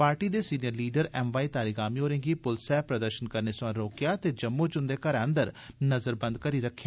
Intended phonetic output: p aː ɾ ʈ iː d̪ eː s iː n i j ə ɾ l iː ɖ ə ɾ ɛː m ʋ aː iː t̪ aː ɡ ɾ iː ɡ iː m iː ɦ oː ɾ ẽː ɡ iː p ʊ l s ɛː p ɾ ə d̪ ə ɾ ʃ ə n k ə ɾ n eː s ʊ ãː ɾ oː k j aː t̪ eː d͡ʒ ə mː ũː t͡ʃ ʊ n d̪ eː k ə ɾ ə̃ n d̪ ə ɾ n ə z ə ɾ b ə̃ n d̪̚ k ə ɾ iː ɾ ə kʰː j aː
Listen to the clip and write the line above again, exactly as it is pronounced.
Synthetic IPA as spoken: p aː ɾ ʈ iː d̪ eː s iː n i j ə ɾ l iː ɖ ə ɾ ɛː m ʋ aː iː t̪ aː ɾ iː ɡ aː m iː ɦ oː ɾ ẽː ɡ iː p ʊ l s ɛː p ɾ ə d̪ ə ɾ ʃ ə n k ə ɾ n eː s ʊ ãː ɾ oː k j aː t̪ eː d͡ʒ ə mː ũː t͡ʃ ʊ n d̪ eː k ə ɾ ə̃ n d̪ ə ɾ n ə z ə ɾ b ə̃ n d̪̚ k ə ɾ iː ɾ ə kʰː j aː